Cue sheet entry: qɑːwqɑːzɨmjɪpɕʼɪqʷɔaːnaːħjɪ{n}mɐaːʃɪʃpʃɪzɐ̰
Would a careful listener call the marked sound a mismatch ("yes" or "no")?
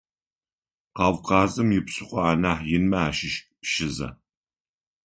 no